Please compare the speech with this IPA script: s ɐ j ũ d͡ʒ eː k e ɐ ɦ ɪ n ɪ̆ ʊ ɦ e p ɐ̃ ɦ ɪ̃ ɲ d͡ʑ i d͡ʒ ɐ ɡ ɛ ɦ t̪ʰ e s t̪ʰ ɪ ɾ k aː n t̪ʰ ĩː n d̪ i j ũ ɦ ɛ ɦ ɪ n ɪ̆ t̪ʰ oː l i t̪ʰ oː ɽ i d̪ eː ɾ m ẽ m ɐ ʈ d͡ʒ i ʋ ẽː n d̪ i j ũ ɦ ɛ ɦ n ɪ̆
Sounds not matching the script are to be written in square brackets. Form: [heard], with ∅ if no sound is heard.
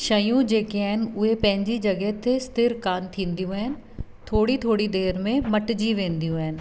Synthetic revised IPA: [ʃ] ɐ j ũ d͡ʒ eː k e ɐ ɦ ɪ n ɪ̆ ʊ ɦ e p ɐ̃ ɦ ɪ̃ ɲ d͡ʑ i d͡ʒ ɐ ɡ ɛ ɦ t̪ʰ e s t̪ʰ ɪ ɾ k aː n t̪ʰ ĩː n d̪ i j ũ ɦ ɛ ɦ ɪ n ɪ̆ t̪ʰ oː [ɽ] i t̪ʰ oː ɽ i d̪ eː ɾ m ẽ m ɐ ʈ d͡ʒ i ʋ ẽː n d̪ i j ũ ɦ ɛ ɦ n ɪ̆